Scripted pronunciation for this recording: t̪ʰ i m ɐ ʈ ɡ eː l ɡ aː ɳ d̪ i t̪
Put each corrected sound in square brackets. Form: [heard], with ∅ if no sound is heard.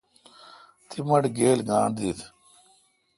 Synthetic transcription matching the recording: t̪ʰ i m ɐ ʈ ɡ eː l ɡ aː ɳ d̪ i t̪